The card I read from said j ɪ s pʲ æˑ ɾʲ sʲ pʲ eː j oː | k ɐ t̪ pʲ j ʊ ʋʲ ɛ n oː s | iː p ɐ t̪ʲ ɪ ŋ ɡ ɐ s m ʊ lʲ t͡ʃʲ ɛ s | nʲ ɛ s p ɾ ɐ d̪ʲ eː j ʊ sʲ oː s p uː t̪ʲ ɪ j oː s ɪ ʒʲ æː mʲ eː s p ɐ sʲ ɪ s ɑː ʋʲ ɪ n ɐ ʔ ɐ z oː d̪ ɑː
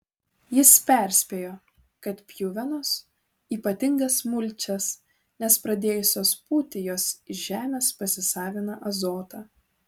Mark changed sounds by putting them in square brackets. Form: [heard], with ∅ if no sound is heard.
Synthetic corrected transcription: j ɪ s pʲ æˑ ɾʲ sʲ pʲ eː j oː | k ɐ t̪ pʲ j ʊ ʋʲ ɛ n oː s | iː p ɐ t̪ʲ ɪ ŋ ɡ ɐ s m ʊ lʲ t͡ʃʲ ɛ s | nʲ ɛ s p ɾ ɐ d̪ʲ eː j ʊ sʲ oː s p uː t̪ʲ ɪ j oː s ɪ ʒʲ æː mʲ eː s p ɐ sʲ ɪ s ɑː ʋʲ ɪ n ɐ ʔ ɐ z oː [t̪] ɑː